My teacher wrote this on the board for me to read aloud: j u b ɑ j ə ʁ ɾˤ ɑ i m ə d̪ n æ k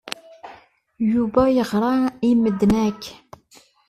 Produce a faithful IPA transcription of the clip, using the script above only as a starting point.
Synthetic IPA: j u b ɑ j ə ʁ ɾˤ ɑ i m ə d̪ n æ k